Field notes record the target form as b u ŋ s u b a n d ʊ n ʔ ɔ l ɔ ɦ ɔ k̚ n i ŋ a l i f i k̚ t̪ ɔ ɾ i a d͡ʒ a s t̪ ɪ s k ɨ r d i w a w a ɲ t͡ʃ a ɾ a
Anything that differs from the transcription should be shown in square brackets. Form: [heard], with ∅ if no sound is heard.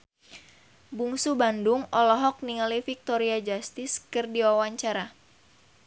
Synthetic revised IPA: b u ŋ s u b a n d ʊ [ŋ] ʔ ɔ l ɔ ɦ ɔ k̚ n i ŋ a l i f i k̚ t̪ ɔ ɾ i a d͡ʒ a s t̪ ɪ s k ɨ r d i w a w a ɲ t͡ʃ a ɾ a